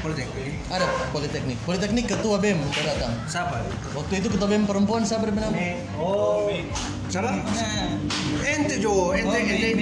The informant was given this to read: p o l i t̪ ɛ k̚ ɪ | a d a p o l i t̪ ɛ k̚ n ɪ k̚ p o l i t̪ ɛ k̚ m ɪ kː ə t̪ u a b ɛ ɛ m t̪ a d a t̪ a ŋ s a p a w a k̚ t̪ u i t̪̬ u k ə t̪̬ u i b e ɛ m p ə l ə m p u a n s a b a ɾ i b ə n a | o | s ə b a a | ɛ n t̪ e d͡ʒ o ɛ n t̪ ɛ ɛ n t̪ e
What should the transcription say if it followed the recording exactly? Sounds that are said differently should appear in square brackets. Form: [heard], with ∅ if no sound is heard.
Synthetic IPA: p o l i t̪ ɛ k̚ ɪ | a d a p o l i t̪ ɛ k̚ n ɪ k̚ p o l i t̪ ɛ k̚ [n] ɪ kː ə t̪ u a b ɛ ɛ m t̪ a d a t̪ a ŋ s a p a w a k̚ t̪ u i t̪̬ u k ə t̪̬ u [a] b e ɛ m p ə [ɾ] ə m p u a n s a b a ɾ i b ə n a | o | s [a] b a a | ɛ n t̪ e d͡ʒ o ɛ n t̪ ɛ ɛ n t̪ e